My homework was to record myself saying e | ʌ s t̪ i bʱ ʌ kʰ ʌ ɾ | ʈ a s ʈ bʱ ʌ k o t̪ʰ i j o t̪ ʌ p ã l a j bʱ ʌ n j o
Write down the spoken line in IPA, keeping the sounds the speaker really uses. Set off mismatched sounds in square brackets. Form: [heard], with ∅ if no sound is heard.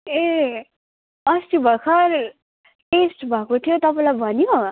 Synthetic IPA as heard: e | ʌ s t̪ i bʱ ʌ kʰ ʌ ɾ | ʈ [e] s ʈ bʱ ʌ k o t̪ʰ i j o t̪ ʌ p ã l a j bʱ ʌ n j o